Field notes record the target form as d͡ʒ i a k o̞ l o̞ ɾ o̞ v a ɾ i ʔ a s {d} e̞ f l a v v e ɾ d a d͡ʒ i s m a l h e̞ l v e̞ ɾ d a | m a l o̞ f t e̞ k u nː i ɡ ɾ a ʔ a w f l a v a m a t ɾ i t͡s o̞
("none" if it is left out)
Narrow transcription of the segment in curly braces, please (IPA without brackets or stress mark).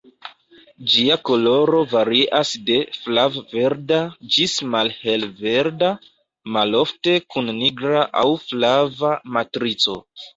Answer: d